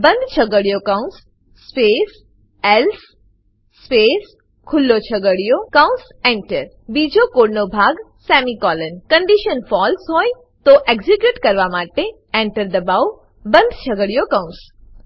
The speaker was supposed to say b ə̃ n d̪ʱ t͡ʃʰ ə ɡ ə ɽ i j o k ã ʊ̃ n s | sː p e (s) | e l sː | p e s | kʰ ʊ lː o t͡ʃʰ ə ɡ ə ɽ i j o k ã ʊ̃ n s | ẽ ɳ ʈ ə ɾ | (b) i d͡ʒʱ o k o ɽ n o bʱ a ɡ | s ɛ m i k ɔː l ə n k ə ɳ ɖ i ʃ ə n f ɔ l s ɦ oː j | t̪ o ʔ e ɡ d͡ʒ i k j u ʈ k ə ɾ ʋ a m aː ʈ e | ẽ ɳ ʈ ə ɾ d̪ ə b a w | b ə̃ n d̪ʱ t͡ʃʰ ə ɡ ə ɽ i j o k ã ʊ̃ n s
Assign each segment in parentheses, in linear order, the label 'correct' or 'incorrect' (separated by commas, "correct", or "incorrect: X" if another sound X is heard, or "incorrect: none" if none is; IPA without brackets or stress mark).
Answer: correct, correct